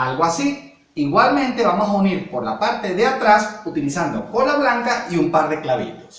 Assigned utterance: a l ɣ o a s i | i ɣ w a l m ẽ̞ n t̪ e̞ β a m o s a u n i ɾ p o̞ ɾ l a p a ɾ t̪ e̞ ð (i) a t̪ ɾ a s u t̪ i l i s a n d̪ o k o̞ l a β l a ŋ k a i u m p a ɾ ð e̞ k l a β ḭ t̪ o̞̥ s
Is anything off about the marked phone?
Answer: yes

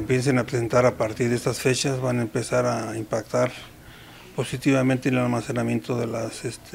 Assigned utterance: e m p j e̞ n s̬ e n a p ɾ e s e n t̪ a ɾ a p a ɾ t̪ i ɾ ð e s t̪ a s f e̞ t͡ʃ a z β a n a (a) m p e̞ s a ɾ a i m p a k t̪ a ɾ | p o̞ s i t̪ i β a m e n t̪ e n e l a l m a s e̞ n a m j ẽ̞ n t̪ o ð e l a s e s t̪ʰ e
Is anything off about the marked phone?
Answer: yes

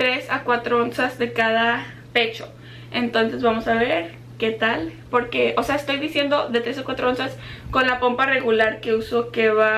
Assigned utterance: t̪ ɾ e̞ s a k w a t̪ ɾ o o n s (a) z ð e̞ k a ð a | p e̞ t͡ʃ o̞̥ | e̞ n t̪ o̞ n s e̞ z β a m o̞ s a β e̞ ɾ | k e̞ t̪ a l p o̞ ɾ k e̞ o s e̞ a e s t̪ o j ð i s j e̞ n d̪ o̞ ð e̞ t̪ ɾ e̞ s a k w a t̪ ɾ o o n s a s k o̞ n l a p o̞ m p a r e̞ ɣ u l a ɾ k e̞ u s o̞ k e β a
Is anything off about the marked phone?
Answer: no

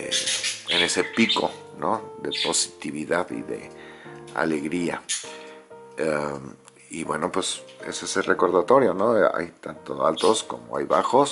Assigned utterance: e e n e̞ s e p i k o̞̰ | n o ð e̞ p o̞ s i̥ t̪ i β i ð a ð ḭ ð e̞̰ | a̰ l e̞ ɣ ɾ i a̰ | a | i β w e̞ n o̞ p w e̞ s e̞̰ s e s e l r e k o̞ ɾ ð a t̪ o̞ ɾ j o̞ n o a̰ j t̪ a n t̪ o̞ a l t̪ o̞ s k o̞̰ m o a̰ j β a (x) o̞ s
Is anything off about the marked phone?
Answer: no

